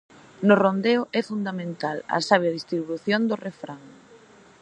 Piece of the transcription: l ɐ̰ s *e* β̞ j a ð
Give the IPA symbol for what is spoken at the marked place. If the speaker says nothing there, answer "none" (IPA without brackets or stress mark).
a